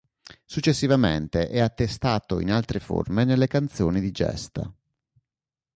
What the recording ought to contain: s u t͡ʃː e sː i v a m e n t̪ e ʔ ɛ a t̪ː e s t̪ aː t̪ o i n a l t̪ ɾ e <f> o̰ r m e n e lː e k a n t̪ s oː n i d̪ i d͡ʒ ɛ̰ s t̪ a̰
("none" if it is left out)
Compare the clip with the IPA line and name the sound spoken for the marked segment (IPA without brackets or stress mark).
f